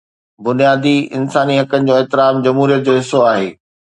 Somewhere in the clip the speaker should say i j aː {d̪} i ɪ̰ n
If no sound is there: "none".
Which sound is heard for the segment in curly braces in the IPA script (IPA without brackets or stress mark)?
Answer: d̪